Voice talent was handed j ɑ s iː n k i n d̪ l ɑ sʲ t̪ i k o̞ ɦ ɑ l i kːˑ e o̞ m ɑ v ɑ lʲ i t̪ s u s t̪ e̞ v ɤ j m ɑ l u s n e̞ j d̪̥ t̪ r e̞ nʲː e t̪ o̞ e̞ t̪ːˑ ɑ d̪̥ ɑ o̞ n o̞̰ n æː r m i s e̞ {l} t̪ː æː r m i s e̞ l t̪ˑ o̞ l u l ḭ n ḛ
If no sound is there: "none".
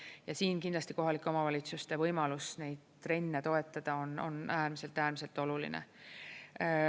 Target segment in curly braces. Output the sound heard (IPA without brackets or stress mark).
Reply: l